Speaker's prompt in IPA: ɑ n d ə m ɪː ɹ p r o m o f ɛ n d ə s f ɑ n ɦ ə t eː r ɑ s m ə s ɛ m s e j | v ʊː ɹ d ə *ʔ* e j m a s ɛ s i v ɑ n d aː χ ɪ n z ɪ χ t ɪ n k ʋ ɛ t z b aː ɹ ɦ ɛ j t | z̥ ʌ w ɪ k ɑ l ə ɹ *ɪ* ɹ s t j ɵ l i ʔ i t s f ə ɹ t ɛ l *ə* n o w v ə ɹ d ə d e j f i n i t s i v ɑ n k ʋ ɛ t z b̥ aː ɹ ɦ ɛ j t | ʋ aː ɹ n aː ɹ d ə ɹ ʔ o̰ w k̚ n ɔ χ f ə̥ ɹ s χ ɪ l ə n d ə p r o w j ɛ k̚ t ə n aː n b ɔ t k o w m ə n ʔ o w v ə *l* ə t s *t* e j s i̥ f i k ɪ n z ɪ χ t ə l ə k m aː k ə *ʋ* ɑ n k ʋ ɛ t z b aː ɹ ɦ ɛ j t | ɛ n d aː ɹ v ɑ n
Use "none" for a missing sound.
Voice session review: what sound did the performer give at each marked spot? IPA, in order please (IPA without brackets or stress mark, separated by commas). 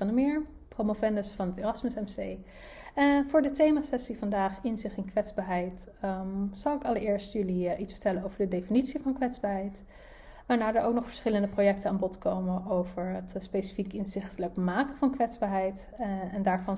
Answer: t, ɪː, ə, ɹ, p, v